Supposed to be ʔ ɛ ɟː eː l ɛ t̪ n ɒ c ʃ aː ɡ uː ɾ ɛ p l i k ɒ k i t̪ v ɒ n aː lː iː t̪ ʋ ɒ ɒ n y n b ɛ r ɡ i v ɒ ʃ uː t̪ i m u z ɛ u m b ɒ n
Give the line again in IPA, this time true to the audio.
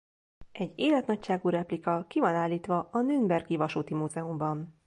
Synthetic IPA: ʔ ɛ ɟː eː l ɛ t̪ n ɒ c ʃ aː ɡ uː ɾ ɛ p l i k ɒ k i v ɒ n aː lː iː t̪ ʋ ɒ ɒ n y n b ɛ r ɡ i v ɒ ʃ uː t̪ i m u z ɛ u m b ɒ n

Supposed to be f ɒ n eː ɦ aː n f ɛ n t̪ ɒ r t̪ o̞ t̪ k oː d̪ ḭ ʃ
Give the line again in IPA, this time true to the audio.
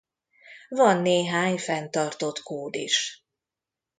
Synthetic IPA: v ɒ nː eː ɦ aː ɲ f ɛ n t̪ ɒ r t̪ o̞ t̪ k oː d̪ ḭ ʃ

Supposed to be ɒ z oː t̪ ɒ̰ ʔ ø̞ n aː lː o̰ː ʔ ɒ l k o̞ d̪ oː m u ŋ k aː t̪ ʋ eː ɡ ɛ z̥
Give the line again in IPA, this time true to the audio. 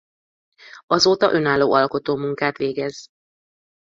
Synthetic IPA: ɒ z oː t̪ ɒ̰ ʔ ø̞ n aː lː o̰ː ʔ ɒ l k o̞ t̪ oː m u ŋ k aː t̪ ʋ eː ɡ ɛ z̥

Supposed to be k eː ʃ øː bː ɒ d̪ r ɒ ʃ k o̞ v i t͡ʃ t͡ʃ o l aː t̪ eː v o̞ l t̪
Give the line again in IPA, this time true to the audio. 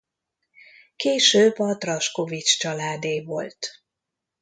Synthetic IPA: k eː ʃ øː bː ɒ t̪ r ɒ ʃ k o̞ v i t͡ʃ t͡ʃ ɒ l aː d̪ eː v o̞ l t̪

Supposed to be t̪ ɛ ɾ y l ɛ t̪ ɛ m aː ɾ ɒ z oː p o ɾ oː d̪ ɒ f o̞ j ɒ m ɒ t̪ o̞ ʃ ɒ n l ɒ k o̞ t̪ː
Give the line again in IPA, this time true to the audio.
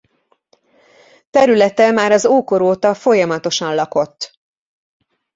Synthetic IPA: t̪ ɛ ɾ y l ɛ t̪ ɛ m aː ɾ ɒ z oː k o ɾ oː t̪ ɒ f o̞ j ɒ m ɒ t̪ o̞ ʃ ɒ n l ɒ k o̞ t̪ː

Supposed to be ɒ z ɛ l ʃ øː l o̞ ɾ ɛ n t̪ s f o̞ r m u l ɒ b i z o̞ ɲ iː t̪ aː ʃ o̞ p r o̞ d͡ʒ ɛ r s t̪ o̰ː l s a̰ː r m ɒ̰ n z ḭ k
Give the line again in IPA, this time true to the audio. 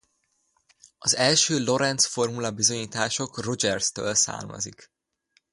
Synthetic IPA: ɒ z ɛ l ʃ øː l o̞ ɾ ɛ n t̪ s f o̞ r m u l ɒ b i z o̞ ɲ iː t̪ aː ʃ o̞ k r o̞ d͡ʒ ɛ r s t̪ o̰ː l s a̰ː r m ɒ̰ z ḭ k

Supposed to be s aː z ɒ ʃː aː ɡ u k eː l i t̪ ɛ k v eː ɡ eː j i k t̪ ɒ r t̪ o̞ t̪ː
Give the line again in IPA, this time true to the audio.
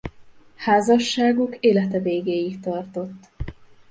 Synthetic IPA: h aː z ɒ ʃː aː ɡ u k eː l ɛ t̪ ɛ v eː ɡ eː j i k t̪ ɒ r t̪ o̞ t̪ː

